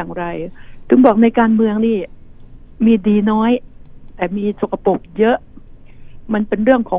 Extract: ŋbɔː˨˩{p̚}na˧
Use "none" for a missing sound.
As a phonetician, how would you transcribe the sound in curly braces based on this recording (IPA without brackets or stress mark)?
k̚